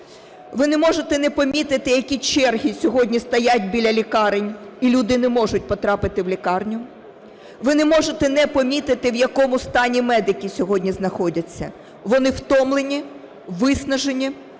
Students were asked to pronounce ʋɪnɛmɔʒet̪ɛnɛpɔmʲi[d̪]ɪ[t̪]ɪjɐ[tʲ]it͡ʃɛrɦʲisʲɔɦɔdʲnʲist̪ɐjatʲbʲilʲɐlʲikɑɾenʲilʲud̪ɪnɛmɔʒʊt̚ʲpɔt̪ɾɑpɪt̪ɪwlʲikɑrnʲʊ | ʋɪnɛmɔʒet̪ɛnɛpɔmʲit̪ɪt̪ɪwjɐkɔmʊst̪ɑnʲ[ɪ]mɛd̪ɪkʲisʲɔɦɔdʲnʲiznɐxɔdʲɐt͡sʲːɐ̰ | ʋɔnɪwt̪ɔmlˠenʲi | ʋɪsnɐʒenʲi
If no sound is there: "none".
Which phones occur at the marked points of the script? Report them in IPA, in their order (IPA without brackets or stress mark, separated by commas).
t̪, t̪, kʲ, i